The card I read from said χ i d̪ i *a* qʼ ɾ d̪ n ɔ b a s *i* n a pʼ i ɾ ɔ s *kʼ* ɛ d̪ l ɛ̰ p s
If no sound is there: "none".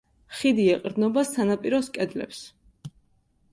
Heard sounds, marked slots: ɛ, a, kʼ

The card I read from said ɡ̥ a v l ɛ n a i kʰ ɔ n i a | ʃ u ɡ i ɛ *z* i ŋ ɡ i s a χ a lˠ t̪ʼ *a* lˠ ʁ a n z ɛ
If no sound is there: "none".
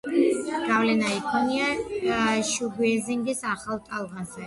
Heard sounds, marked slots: z, a

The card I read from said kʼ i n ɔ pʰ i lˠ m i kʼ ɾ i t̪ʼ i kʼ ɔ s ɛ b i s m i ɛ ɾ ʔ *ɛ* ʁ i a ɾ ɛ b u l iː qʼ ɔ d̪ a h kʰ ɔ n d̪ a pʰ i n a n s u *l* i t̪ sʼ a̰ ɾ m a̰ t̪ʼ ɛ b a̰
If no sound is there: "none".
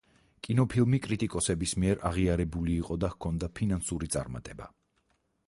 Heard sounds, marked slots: a, ɾ

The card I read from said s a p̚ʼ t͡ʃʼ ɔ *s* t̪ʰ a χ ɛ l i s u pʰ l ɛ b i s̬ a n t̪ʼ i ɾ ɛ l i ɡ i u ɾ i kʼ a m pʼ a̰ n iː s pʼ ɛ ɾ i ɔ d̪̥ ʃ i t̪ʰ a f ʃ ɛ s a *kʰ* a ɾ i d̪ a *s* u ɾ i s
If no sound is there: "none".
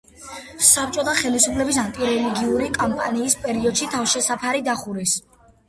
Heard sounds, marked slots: none, pʰ, χ

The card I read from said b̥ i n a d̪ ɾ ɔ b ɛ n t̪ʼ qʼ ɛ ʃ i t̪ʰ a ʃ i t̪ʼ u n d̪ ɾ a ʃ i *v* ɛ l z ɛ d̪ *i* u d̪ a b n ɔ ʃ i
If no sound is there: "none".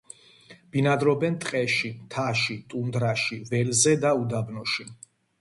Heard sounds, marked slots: v, a

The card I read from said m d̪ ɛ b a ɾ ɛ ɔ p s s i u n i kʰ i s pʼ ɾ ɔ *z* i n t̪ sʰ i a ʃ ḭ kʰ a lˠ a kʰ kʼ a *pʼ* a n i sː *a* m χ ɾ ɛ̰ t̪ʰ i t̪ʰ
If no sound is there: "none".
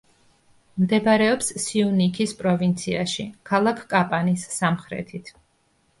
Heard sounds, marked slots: v, pʼ, a

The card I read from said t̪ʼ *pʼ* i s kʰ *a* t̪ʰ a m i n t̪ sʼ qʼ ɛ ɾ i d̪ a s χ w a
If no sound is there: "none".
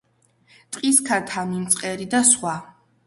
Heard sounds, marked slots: qʼ, a

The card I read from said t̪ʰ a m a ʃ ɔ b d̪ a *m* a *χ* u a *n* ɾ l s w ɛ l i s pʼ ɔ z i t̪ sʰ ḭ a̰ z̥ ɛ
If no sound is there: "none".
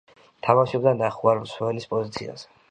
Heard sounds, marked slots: n, χ, none

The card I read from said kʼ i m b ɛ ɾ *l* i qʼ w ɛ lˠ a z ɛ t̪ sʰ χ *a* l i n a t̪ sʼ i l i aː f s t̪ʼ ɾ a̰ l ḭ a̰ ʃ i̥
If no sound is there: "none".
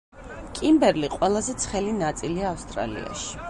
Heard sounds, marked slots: l, ɛ

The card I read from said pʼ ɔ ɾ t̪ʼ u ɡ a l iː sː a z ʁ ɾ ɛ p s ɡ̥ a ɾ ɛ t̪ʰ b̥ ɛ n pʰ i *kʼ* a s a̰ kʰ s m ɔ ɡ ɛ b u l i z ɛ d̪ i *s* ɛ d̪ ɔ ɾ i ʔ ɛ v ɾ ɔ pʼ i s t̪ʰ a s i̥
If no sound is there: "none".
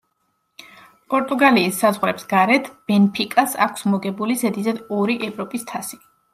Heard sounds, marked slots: kʼ, z

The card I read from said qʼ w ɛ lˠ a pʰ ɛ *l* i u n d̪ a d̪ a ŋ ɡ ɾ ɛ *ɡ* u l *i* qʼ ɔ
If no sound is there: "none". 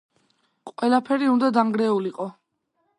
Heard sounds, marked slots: ɾ, none, i

